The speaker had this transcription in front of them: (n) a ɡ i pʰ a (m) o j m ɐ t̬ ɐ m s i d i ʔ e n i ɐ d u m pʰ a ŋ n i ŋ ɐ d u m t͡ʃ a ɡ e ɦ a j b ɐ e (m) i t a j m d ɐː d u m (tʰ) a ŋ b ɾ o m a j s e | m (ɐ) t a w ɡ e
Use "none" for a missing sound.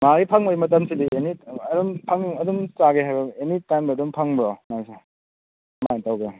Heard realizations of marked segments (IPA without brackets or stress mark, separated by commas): m, ŋ, n, pʰ, a